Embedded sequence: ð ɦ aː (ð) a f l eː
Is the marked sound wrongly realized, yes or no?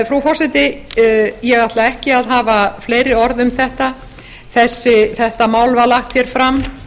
yes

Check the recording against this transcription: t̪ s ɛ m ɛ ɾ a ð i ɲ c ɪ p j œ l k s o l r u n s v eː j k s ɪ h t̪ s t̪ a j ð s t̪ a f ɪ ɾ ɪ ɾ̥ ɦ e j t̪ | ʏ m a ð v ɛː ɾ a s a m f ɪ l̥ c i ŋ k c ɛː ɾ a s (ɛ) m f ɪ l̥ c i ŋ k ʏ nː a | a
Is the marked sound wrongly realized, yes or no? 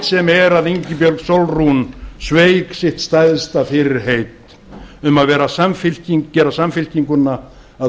yes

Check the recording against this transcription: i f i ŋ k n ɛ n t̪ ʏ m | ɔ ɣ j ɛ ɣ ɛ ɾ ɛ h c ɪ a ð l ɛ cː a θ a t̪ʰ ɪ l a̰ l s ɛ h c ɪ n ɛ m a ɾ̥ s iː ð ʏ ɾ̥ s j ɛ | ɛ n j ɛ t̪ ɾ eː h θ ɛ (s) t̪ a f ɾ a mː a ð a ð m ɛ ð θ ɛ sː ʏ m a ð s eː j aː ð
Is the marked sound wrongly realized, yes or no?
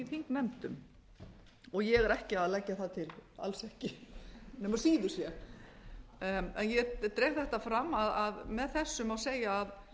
yes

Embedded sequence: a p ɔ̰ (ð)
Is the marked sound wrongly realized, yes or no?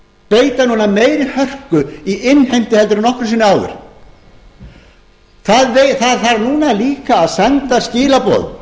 no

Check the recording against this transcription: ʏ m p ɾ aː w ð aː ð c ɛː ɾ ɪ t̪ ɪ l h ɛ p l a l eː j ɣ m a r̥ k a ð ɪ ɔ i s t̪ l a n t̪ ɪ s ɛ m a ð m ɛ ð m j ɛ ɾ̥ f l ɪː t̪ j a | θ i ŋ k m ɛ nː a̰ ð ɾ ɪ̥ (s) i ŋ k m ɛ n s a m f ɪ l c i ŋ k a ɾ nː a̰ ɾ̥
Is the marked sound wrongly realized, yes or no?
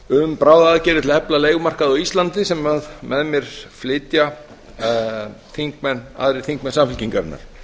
yes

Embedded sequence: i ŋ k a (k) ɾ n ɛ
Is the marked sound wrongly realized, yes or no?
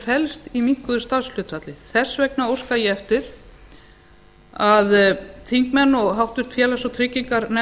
yes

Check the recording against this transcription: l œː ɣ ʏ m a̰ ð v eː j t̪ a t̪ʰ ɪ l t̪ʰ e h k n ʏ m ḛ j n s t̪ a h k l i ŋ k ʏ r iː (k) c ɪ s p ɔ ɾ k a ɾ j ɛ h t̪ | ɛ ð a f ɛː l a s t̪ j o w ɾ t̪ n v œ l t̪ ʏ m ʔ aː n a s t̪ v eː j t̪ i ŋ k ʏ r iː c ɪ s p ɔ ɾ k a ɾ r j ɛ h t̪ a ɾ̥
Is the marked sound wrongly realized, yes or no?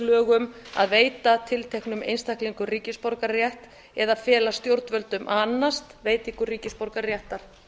yes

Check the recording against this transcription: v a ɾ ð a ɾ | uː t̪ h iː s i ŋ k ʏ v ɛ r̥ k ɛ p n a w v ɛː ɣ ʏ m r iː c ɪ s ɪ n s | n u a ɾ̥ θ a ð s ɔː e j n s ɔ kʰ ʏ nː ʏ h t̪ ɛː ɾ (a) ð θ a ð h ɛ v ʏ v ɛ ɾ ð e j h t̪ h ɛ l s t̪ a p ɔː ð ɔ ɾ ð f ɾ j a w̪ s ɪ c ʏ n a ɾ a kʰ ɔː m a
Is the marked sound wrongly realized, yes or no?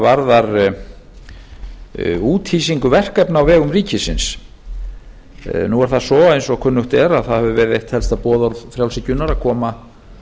no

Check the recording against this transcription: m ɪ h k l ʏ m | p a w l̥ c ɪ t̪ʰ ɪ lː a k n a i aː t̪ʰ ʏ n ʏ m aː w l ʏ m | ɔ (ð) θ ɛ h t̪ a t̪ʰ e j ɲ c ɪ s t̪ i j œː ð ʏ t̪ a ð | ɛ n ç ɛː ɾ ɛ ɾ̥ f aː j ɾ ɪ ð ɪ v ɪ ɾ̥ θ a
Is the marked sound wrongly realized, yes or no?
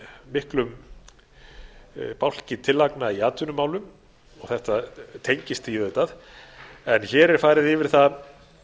yes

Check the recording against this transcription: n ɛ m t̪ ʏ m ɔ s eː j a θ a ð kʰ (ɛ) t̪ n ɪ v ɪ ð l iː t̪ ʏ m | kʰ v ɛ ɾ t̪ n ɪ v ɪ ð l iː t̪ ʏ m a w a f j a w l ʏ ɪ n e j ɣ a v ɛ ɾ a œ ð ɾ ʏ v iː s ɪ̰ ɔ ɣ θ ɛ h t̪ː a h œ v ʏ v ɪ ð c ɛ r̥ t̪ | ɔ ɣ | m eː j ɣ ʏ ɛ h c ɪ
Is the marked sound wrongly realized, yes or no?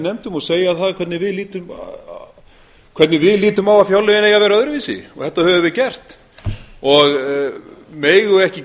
no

